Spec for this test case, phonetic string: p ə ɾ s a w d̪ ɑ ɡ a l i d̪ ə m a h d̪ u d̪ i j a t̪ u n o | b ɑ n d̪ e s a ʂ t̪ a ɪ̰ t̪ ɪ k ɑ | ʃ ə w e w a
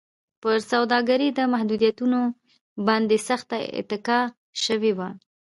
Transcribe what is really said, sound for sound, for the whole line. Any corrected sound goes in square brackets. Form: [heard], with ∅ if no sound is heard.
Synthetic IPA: p ə ɾ s a w d̪ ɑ ɡ a [ɾ] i d̪ ə m a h d̪ u d̪ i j a t̪ u n o | b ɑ n d̪ e s a [x] t̪ a ɪ̰ t̪ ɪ k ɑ | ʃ ə w e w a